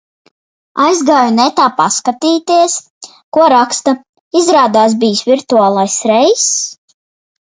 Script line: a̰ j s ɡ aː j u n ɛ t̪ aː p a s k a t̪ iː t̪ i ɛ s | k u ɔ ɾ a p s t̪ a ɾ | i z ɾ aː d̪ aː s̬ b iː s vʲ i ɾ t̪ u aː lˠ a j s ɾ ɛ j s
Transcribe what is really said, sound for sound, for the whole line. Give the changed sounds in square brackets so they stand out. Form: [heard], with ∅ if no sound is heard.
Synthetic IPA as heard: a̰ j [z] ɡ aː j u n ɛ t̪ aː p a s k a t̪ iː t̪ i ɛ s | k u ɔ ɾ a [k] s t̪ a [∅] | i z ɾ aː d̪ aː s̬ b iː s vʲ i ɾ t̪ u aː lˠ a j s ɾ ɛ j s